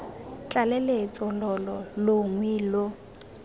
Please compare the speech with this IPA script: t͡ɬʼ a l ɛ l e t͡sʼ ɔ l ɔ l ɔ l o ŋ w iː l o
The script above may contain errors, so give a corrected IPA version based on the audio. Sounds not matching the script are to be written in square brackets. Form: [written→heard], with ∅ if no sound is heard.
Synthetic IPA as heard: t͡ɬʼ a l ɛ l e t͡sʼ ɔ l ɔ l ɔ l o ŋ w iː l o